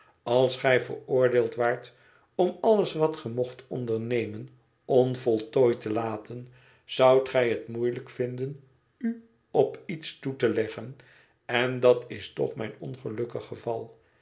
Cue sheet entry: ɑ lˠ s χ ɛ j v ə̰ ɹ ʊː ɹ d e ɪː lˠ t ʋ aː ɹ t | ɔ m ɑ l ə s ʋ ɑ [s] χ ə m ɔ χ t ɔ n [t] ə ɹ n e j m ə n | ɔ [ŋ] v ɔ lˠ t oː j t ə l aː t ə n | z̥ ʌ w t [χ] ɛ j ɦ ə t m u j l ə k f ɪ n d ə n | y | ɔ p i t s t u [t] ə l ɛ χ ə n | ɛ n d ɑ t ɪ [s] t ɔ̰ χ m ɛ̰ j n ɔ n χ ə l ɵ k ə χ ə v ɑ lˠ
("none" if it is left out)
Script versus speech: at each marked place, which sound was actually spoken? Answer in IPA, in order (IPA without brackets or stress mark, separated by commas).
t, d, n, χ, t, s